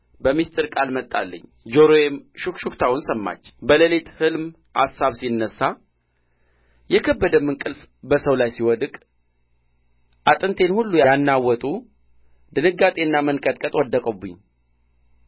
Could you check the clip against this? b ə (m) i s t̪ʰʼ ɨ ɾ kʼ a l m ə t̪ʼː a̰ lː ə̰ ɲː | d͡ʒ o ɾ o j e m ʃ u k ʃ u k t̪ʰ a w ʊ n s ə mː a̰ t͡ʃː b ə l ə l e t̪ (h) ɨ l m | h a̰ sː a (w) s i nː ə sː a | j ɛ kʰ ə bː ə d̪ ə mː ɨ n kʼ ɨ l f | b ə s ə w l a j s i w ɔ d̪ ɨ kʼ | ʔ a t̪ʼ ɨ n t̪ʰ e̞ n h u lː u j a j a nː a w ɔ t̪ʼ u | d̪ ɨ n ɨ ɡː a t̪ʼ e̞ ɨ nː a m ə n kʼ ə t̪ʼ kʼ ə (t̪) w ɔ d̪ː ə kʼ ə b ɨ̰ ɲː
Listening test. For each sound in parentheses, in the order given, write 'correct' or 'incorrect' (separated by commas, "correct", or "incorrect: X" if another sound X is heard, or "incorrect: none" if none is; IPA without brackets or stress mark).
correct, correct, incorrect: β, incorrect: t̪ʼ